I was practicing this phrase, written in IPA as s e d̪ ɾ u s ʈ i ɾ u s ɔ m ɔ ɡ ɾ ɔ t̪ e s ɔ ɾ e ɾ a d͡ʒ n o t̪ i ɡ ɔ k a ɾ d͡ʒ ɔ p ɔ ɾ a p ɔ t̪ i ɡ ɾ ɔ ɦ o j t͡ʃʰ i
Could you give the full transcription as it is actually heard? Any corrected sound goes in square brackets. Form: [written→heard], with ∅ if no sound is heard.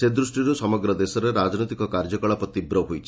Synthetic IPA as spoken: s e d̪ ɾ u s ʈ i ɾ u s ɔ m ɔ ɡ ɾ ɔ [t̪→d̪] e s ɔ ɾ e ɾ a d͡ʒ n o t̪ i [ɡ→k] ɔ k a ɾ d͡ʒ ɔ [p→k] ɔ [ɾ→ɭ] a p ɔ t̪ i [ɡ→b] ɾ ɔ ɦ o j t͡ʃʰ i